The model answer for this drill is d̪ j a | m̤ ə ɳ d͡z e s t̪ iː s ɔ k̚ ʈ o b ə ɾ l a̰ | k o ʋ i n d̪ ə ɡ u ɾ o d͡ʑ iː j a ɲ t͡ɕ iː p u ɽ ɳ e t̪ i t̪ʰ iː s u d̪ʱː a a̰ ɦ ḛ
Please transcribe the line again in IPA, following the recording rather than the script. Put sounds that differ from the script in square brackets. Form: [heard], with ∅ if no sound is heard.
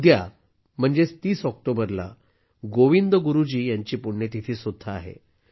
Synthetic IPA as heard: d̪ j a | m̤ ə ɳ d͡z e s t̪ iː s ɔ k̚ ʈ o b ə ɾ l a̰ | [ɡ] o ʋ i n d̪ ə ɡ u ɾ [u] d͡ʑ iː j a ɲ t͡ɕ iː p u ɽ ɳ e t̪ i t̪ʰ iː s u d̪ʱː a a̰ ɦ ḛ

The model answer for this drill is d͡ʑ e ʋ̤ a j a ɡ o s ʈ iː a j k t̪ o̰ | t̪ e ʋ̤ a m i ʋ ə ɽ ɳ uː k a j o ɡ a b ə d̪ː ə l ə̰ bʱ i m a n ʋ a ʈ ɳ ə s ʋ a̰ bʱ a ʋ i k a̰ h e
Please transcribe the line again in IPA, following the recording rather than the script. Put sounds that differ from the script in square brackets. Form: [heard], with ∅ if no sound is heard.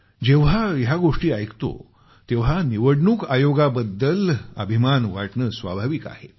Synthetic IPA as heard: d͡ʑ e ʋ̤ a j a ɡ o [ʂ] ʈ iː a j k t̪ o̰ | t̪ e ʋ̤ a [n] i ʋ ə ɽ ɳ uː k a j o ɡ a b ə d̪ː ə l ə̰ bʱ i m a n ʋ a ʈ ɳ ə s ʋ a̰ bʱ a ʋ i k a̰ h e

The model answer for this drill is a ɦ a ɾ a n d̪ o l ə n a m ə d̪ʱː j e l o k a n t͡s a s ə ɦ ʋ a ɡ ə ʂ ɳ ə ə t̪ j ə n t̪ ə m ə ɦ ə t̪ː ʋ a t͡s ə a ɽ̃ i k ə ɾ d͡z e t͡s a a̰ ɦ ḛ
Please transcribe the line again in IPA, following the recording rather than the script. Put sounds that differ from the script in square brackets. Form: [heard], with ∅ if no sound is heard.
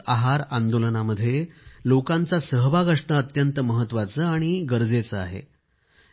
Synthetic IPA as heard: a ɦ a ɾ a n d̪ o l ə n a m ə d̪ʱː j e l o k a n t͡s a s ə ɦ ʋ a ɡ ə ʂ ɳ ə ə t̪ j ə n t̪ ə m ə ɦ ə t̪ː ʋ a t͡s ə a ɽ̃ i [ɡ] ə ɾ d͡z e t͡s [ə] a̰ ɦ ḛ

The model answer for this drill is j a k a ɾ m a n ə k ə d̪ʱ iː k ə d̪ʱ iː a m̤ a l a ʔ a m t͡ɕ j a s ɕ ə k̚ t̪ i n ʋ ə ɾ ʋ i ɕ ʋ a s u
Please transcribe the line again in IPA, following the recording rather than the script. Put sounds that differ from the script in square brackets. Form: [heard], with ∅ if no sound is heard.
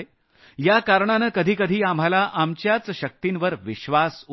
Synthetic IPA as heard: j a k a ɾ [ɳ] a n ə k ə d̪ʱ iː k ə d̪ʱ iː a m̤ a l a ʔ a m t͡ɕ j a [t͡s] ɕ ə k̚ t̪ i n ʋ ə ɾ ʋ i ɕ ʋ a s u

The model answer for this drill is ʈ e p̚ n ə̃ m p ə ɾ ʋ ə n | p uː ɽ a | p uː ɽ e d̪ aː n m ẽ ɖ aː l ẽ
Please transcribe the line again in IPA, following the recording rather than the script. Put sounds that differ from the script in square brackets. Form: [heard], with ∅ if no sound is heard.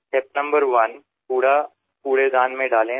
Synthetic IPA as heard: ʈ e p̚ n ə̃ m [b] ə ɾ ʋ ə n | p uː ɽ a | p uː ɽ e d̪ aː n m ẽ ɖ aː l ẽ

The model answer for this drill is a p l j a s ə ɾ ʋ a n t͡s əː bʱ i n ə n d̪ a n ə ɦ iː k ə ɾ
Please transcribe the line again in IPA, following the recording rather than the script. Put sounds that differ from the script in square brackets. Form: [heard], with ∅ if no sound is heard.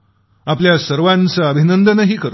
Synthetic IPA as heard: a p l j a s ə ɾ ʋ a n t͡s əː bʱ i n ə n d̪ [ə] n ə ɦ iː k ə ɾ

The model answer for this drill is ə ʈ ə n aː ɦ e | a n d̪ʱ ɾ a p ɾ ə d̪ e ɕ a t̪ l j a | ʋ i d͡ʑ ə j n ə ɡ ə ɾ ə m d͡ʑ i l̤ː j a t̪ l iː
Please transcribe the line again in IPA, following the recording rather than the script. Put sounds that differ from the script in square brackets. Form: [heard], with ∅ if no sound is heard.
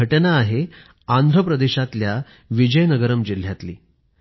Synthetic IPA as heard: ə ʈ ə n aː ɦ e | a n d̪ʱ ɾ [ə] p ɾ ə d̪ e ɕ a t̪ l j a | ʋ i d͡ʑ ə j n ə ɡ ə ɾ ə m d͡ʑ i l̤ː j a t̪ l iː

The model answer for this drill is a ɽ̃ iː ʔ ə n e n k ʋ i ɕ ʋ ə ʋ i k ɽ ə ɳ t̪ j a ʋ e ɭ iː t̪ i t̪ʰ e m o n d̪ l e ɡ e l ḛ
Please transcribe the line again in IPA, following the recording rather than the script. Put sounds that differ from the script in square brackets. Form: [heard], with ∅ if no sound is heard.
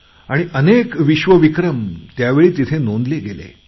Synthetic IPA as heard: a ɽ̃ [i] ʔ ə n e [∅] k ʋ i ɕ ʋ ə ʋ i k [ɾ] ə [m] t̪ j a ʋ e ɭ iː t̪ i t̪ʰ e [n] o n d̪ l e ɡ e l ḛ

